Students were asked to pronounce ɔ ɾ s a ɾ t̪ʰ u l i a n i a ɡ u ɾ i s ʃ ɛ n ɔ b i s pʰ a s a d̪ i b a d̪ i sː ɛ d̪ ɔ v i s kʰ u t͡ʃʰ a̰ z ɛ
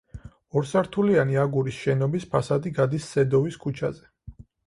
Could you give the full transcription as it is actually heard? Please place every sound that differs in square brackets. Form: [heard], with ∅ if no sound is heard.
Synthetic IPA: ɔ ɾ s a ɾ t̪ʰ u l i a n i a ɡ u ɾ i s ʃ ɛ n ɔ b i s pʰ a s a d̪ i [ɡ] a d̪ i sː ɛ d̪ ɔ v i s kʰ u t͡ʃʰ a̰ z ɛ